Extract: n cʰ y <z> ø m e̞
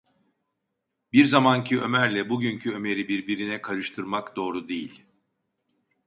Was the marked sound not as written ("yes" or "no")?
yes